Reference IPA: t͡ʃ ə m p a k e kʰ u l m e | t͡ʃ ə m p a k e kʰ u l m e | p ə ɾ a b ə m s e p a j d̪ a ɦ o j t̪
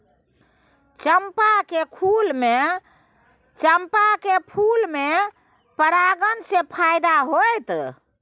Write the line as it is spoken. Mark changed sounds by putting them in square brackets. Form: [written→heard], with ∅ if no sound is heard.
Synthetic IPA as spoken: t͡ʃ ə m p a k e kʰ u l m e | t͡ʃ ə m p a k e [kʰ→pʰ] u l m e | p ə ɾ a [b→ɡ] ə [m→n] s e [p→pʰ] a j d̪ a ɦ o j t̪